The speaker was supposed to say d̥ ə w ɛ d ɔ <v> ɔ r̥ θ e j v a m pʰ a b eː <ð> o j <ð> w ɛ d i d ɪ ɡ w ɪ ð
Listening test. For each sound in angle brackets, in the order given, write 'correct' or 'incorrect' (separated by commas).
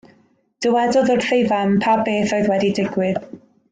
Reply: incorrect, incorrect, correct